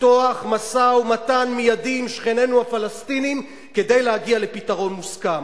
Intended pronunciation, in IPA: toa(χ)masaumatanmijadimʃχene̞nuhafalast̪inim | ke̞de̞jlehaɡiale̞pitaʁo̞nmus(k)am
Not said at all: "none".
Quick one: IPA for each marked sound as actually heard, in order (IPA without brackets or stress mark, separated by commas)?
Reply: χ, k